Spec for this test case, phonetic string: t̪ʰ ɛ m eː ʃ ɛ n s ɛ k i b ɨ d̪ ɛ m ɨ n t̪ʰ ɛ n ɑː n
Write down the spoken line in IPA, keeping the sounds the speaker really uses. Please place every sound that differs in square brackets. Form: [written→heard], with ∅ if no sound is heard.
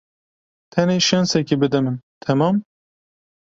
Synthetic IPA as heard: t̪ʰ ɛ [m→n] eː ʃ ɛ n s ɛ k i b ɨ d̪ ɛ m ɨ n t̪ʰ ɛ [n→m] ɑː [n→m]